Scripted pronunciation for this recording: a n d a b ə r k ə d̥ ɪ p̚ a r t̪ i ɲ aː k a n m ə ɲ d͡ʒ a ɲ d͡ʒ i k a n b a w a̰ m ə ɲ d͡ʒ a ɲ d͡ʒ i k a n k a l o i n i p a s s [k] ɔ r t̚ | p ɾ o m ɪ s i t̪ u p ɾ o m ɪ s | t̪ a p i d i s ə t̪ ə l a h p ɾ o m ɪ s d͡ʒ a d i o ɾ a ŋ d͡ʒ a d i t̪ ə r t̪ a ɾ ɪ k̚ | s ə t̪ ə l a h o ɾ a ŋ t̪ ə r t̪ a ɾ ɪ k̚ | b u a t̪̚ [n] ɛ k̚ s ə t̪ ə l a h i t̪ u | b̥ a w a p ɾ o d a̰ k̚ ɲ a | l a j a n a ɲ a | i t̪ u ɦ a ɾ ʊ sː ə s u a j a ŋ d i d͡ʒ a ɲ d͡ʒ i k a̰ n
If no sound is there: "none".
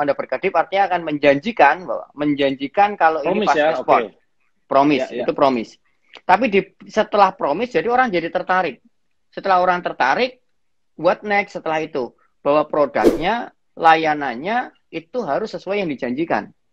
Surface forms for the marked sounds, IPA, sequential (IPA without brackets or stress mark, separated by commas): p, n